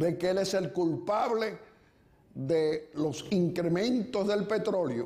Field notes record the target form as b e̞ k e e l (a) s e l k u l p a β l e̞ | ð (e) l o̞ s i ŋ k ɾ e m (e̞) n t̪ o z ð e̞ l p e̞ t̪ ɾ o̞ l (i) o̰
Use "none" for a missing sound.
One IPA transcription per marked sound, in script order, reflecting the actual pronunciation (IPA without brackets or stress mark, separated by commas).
e, e, ẽ̞, j